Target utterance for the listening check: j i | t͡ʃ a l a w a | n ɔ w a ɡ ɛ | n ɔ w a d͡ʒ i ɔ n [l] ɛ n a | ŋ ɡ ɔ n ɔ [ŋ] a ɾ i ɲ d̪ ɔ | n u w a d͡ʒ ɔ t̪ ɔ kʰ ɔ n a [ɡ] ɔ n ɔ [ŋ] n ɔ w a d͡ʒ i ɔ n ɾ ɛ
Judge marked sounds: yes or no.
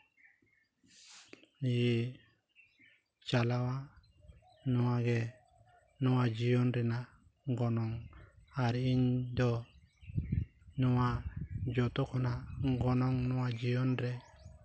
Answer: no, yes, yes, yes

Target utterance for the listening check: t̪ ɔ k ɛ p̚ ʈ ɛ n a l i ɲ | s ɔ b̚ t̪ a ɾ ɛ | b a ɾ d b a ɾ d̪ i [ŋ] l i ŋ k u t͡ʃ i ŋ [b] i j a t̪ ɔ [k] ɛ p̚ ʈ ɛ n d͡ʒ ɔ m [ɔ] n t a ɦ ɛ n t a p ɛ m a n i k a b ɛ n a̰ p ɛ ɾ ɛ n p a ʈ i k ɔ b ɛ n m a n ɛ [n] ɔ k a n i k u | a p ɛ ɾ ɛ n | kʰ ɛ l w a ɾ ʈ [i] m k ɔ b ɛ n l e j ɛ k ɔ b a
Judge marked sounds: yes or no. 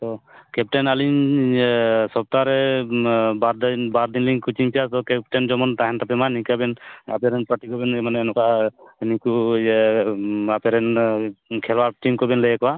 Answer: no, no, yes, yes, yes, yes

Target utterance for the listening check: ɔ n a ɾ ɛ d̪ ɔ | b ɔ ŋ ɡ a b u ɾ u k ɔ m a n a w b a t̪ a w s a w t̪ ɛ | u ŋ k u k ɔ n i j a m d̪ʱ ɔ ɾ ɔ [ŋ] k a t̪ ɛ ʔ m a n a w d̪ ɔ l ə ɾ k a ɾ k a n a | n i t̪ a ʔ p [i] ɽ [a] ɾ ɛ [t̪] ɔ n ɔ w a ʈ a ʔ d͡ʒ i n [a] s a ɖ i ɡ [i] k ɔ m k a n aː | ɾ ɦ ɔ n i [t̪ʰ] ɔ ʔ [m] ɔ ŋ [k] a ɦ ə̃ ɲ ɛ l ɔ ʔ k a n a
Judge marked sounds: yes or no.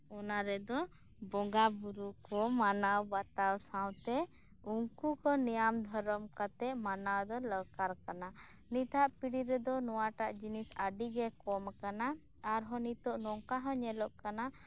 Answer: no, yes, no, no, no, no, no, no, yes

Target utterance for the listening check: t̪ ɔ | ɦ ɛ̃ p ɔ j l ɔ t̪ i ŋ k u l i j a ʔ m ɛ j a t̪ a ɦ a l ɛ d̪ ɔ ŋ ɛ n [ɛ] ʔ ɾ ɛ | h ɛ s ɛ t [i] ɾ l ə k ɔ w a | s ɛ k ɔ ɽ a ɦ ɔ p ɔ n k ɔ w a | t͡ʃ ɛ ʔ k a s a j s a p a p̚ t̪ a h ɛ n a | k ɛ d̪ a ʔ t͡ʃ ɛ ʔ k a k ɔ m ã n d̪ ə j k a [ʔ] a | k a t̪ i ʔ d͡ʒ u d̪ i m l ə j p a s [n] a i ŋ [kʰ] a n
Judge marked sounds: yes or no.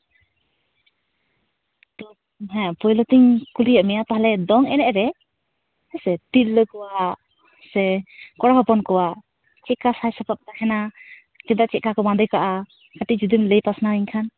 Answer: yes, yes, yes, yes, yes

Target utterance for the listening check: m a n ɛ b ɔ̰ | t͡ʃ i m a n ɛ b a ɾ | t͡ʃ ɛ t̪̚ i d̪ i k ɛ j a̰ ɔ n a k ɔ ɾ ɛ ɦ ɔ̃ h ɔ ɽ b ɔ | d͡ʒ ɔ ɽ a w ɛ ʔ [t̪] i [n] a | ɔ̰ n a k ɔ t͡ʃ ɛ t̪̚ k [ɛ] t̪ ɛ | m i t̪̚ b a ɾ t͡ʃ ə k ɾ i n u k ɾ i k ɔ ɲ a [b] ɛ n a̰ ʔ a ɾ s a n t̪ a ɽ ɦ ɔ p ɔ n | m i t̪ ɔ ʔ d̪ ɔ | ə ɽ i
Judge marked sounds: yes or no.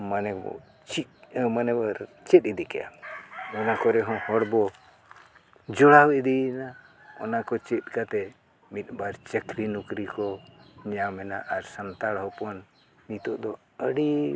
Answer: no, yes, no, no

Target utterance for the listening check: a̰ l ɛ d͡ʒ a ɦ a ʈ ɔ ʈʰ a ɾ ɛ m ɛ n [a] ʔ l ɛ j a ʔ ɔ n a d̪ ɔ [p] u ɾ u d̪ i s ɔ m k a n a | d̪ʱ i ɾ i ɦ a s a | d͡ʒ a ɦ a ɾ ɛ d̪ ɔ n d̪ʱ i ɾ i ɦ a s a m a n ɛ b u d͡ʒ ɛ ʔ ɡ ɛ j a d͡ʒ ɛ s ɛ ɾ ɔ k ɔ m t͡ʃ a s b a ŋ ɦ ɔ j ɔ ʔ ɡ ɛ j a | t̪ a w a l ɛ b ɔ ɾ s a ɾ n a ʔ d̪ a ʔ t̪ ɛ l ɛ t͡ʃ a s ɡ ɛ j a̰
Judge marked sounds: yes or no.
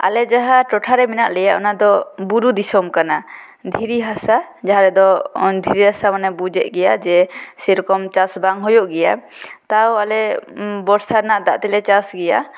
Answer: yes, no

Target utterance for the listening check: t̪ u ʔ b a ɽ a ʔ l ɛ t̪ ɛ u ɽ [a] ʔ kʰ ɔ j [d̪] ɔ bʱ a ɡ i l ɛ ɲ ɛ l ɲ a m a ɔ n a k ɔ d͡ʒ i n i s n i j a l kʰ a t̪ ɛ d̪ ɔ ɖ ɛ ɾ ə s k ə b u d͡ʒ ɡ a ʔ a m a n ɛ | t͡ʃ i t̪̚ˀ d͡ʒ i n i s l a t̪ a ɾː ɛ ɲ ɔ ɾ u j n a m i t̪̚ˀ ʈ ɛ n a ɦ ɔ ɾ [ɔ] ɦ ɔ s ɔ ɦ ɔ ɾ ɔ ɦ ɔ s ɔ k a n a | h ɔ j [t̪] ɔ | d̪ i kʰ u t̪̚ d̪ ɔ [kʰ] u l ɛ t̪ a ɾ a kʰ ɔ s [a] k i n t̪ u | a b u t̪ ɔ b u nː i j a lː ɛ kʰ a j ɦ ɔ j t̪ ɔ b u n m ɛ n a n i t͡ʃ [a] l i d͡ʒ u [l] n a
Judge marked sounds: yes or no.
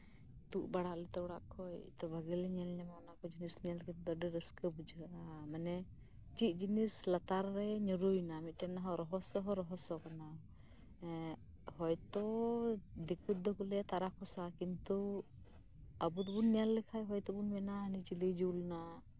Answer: yes, no, yes, yes, no, yes, no, yes

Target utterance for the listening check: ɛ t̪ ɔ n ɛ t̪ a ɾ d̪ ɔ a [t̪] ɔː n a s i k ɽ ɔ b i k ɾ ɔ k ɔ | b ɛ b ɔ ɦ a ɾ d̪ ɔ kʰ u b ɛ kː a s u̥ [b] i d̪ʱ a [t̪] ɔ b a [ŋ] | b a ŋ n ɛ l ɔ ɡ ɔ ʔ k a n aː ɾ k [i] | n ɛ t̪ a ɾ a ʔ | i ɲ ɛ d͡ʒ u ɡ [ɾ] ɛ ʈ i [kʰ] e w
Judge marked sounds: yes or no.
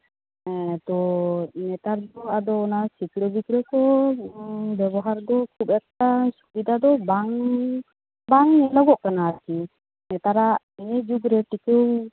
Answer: no, yes, no, yes, yes, yes, no

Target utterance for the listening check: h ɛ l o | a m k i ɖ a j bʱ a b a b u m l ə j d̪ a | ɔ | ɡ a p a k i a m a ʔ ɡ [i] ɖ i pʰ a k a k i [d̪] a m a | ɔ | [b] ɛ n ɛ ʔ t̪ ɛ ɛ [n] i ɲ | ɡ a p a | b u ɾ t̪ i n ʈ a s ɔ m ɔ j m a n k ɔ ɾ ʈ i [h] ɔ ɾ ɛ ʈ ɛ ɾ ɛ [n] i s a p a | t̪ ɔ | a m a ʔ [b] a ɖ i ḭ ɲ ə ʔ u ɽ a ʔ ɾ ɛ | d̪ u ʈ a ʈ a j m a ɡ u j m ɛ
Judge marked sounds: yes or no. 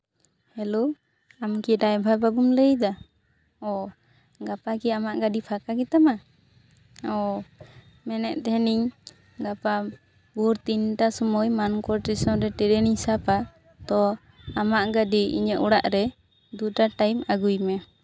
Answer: no, no, no, yes, no, yes, no

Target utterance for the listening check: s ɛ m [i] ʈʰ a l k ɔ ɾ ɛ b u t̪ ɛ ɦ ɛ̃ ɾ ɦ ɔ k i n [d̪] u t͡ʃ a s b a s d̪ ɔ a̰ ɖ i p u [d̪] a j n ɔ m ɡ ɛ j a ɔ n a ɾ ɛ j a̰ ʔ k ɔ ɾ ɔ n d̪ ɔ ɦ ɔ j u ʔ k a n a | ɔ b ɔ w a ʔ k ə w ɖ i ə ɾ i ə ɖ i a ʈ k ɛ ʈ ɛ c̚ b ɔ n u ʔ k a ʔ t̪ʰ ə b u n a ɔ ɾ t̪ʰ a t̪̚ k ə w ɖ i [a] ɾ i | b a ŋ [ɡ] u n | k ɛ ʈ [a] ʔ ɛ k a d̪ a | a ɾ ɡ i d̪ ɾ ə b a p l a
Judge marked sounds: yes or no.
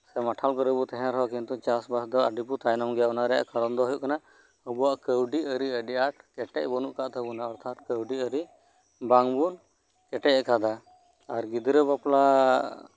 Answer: no, no, no, no, no, no

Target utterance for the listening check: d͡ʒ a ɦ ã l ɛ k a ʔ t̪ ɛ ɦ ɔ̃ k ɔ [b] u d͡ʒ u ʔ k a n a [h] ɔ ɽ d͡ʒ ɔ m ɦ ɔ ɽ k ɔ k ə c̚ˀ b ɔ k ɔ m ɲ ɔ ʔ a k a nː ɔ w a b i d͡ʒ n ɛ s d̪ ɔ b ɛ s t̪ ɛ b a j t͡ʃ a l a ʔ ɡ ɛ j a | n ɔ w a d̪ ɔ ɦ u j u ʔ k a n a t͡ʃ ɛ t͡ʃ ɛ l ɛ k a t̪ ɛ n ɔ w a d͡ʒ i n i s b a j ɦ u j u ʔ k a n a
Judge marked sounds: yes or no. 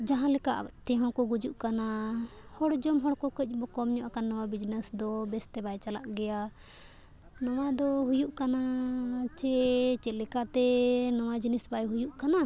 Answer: no, yes

